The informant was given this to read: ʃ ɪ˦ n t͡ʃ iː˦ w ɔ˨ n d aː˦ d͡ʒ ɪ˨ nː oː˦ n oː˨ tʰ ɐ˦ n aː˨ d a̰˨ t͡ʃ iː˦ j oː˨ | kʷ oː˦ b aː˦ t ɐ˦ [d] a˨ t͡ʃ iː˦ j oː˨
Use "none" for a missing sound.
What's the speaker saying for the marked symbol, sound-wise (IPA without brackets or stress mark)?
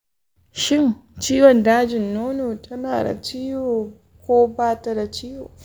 d